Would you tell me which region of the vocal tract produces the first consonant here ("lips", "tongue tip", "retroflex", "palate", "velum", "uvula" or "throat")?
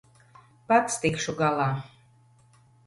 lips